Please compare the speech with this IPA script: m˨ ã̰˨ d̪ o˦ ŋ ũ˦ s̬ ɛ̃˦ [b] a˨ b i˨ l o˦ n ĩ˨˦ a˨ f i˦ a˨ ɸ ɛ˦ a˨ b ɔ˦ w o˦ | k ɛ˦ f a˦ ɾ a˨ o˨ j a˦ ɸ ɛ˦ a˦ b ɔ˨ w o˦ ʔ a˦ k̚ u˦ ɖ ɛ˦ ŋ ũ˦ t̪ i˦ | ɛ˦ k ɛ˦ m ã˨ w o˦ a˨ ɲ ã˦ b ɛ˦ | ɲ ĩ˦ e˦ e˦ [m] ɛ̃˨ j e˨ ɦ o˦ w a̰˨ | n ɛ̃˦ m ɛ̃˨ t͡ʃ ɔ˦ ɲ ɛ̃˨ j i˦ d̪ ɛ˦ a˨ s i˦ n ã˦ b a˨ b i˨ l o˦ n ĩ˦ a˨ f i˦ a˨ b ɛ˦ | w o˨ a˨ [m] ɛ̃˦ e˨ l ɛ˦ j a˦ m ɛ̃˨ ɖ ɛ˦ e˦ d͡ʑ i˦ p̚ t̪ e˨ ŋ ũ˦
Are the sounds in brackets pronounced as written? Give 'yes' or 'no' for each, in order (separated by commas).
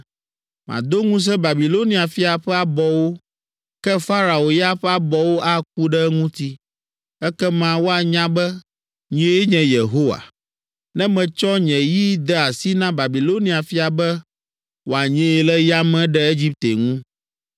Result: yes, no, no